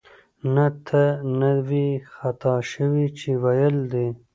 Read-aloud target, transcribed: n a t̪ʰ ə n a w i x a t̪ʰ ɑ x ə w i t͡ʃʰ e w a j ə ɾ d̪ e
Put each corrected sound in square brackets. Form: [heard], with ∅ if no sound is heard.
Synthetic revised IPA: n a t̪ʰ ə n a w i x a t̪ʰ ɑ [ʃ] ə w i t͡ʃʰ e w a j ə [l] d̪ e